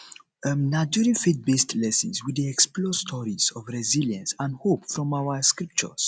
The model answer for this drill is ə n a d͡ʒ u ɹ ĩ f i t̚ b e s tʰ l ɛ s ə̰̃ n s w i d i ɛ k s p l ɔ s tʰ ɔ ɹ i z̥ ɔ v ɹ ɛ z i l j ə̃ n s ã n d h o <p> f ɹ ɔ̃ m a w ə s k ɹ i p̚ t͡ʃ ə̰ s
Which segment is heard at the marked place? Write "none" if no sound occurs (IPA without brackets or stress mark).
p